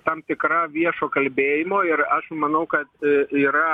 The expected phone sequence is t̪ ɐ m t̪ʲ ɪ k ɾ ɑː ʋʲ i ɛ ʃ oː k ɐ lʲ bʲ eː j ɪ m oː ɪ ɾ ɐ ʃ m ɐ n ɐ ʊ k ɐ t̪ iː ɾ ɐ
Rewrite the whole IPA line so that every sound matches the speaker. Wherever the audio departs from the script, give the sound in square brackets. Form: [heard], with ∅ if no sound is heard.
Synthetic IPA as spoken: t̪ ɐ m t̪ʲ ɪ k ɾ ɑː ʋʲ i ɛ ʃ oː k ɐ lʲ bʲ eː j ɪ m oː ɪ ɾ ɐ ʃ m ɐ n ɐ ʊ k ɐ t̪ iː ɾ ɐ